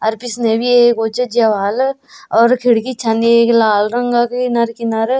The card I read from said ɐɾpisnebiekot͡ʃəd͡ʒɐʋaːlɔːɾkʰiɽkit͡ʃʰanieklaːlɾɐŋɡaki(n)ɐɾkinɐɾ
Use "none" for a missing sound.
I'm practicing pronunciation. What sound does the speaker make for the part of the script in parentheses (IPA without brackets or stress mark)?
n